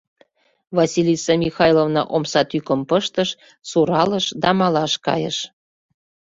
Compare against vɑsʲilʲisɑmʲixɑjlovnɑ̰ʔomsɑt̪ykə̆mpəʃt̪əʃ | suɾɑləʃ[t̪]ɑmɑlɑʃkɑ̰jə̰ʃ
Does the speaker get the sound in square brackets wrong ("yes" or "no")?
yes